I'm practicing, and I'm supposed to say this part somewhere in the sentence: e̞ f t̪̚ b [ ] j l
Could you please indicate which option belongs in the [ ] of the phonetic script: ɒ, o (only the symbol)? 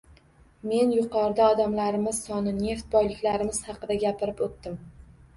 ɒ